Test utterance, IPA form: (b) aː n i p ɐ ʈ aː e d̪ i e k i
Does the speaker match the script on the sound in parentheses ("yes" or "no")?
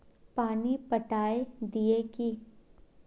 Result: no